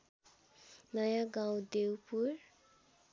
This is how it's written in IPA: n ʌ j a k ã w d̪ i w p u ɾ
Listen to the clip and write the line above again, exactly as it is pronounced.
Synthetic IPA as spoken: n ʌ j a ɡ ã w d̪ e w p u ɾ